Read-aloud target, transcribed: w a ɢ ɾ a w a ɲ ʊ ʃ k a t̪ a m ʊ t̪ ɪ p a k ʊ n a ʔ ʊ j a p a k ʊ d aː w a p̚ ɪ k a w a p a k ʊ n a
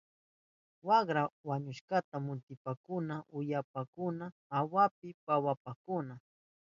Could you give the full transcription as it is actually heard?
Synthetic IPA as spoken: w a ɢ ɾ a w a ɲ ʊ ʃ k a t̪ a m ʊ t̪ ɪ p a k ʊ n a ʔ ʊ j a p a k ʊ n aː w a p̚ ɪ p a w a p a k ʊ n a